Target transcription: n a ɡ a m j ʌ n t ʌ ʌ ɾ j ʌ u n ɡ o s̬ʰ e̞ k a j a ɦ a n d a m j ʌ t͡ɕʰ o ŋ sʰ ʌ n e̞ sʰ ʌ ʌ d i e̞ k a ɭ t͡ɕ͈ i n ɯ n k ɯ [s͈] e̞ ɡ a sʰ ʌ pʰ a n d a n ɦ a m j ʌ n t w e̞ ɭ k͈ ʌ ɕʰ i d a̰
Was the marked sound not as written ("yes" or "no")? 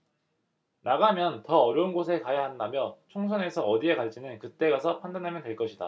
yes